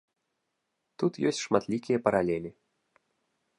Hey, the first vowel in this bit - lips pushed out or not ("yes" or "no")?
yes